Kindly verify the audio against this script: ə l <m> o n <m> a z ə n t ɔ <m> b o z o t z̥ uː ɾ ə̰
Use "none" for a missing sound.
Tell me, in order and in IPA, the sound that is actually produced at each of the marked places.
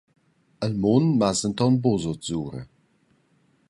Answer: m, m, n

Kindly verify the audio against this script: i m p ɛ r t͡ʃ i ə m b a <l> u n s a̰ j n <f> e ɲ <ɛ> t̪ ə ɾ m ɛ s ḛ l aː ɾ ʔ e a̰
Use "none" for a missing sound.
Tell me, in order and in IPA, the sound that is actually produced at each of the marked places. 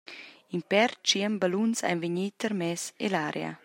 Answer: l, v, i

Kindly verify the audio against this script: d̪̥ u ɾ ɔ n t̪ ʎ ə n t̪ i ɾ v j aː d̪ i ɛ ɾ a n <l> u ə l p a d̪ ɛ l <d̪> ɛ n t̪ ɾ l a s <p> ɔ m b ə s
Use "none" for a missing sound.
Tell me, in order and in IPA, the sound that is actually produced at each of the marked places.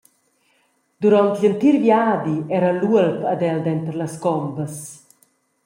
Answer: l, d̪, k

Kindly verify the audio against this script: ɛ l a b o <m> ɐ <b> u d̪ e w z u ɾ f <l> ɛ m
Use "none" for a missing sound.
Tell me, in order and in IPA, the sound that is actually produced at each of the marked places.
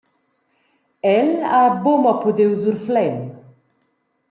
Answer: m, p, l

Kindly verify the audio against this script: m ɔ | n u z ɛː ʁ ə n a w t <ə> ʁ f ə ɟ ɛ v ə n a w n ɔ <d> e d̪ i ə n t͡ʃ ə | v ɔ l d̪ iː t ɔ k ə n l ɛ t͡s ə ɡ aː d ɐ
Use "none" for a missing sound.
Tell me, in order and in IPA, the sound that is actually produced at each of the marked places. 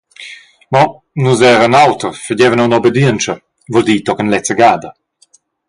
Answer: ə, b

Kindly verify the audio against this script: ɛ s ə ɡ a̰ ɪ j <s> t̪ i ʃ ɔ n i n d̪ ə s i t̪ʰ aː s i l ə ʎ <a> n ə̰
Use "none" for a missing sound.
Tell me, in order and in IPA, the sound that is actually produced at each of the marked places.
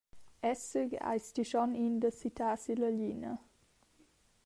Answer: s, i

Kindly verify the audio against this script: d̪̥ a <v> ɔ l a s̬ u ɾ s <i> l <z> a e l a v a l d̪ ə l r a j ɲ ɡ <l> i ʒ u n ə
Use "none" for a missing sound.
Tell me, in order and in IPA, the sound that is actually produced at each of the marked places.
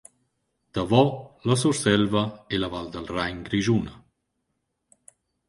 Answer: v, ɛ, v, ɾ

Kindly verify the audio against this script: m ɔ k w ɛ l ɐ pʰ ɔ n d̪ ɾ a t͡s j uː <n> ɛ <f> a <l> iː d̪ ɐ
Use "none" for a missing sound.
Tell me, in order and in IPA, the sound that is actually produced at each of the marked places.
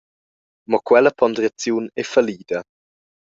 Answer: n, f, l

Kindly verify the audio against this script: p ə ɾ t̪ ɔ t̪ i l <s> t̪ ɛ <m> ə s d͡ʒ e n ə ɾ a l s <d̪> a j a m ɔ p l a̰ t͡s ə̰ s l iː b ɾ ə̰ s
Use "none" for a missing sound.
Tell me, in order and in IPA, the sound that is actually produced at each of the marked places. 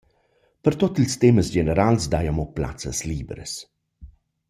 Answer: s, m, d̪

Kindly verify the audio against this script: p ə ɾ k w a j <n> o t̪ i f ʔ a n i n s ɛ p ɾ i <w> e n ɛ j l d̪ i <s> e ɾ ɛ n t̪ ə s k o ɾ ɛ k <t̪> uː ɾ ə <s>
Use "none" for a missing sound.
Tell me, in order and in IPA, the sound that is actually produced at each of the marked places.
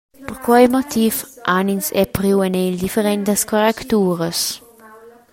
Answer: m, w, f, t̪, s

